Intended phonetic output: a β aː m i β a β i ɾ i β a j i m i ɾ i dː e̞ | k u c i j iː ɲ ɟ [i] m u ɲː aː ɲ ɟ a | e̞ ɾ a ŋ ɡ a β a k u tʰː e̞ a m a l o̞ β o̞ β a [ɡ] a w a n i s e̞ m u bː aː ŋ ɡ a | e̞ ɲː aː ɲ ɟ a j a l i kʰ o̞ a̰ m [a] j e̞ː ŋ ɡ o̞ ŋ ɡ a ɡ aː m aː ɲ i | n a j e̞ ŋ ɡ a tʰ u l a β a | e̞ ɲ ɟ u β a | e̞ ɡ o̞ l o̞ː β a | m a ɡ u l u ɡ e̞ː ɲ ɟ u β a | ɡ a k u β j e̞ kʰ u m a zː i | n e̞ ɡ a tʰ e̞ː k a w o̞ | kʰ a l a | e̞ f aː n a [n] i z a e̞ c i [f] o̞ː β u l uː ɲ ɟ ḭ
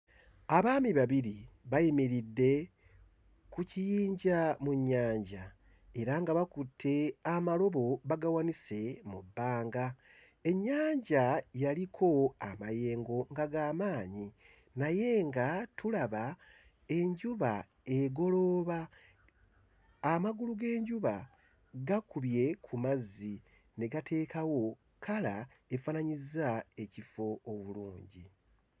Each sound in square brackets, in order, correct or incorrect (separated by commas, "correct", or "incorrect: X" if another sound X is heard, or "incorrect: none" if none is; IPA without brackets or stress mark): incorrect: a, correct, correct, incorrect: ɲ, correct